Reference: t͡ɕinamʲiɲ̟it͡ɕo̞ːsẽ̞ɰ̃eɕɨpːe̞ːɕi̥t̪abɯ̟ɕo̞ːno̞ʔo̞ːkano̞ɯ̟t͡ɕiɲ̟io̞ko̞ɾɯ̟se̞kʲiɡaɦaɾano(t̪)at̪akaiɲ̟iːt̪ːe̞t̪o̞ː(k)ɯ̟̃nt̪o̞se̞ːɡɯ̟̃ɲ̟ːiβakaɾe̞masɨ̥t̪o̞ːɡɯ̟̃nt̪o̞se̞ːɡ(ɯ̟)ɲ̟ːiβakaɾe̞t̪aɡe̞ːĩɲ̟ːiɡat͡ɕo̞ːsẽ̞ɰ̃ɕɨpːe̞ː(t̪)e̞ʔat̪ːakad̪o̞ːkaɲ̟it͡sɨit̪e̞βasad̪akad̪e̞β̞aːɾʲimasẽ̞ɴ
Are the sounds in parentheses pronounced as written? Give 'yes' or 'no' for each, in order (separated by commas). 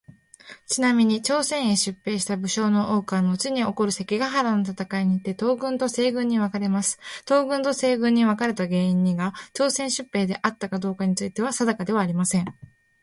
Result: yes, no, no, no